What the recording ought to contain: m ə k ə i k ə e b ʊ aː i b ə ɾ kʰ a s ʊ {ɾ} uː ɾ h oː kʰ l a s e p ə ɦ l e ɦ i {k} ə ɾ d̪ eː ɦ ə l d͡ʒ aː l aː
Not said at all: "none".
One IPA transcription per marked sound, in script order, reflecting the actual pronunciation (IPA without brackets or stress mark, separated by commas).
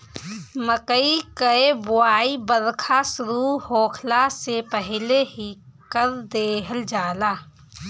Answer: ɾ, k